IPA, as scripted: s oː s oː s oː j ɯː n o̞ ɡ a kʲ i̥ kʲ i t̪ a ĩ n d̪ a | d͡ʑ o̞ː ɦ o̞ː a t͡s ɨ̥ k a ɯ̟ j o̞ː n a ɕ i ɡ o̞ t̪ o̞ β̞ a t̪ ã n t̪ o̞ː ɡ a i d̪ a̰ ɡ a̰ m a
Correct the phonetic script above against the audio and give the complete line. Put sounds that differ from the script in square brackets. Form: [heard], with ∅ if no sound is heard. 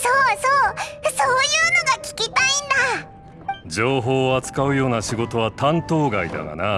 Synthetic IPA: s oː s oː s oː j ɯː n o̞ ɡ a kʲ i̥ kʲ i t̪ a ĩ n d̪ a | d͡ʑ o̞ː ɦ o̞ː a t͡s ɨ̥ k a ɯ̟ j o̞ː n a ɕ i ɡ o̞ t̪ o̞ β̞ a t̪ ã n t̪ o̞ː ɡ a i d̪ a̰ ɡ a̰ [n] a